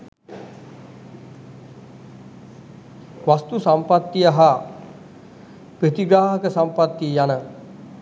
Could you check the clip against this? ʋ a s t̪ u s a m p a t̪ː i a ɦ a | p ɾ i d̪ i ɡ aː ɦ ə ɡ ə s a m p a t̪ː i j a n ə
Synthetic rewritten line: ʋ a s t̪ u s a m p a t̪ː i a ɦ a | p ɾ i t̪ i ɡ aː ɦ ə k ə s a m p a t̪ː i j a n ə